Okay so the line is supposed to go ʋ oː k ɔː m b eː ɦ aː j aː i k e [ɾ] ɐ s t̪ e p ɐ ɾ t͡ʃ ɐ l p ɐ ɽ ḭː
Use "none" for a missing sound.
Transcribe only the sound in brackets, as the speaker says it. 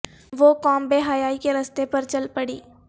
ɾ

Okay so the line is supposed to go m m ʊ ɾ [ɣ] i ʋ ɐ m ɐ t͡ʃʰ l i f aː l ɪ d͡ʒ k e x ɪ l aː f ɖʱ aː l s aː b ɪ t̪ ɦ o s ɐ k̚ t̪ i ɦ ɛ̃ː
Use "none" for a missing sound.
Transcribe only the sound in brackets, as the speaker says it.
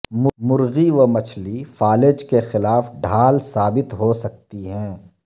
ɣ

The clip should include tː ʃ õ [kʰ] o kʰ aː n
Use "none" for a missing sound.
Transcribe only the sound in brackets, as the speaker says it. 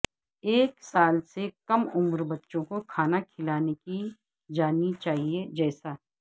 k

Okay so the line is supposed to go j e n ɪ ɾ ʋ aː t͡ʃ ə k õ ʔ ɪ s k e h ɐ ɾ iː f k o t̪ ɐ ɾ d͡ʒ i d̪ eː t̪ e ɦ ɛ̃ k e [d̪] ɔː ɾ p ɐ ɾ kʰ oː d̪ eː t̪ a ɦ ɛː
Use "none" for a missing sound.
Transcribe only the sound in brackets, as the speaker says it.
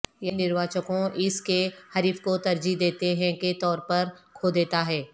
t̪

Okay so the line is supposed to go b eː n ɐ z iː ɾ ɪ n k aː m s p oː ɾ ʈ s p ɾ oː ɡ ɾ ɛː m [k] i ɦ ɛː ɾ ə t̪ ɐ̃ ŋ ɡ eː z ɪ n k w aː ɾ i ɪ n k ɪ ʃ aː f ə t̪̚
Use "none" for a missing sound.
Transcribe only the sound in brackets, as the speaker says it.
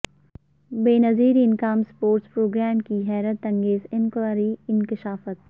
k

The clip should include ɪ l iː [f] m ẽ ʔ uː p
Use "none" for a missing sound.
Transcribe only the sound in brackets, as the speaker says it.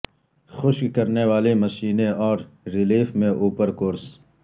f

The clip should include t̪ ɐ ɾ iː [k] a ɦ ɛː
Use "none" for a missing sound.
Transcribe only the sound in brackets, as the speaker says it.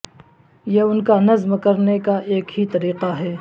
q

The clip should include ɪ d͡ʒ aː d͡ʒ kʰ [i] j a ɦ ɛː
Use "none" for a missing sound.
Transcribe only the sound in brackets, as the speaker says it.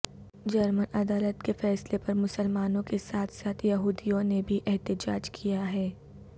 i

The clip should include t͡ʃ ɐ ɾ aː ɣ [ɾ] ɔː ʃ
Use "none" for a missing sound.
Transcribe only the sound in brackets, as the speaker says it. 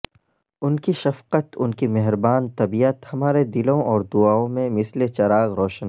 ɾ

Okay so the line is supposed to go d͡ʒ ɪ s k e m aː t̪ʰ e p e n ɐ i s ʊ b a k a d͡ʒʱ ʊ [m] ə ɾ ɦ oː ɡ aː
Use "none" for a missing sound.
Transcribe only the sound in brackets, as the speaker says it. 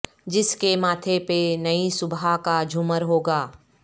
m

